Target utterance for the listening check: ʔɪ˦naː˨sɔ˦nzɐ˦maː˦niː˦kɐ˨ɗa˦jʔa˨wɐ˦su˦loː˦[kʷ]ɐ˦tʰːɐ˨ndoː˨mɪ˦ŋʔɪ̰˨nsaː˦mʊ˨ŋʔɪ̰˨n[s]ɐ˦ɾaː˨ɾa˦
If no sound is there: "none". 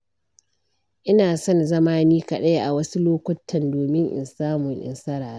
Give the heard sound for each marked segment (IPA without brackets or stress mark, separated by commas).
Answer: kʷ, s